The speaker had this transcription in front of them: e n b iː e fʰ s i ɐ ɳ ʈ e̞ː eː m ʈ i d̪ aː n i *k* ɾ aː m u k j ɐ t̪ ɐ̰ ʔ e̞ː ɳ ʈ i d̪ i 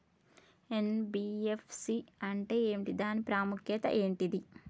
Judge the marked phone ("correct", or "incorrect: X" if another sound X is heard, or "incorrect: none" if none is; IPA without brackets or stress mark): incorrect: p